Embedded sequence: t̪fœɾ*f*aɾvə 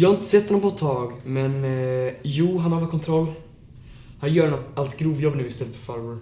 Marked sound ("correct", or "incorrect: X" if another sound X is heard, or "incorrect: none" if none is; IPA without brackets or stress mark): correct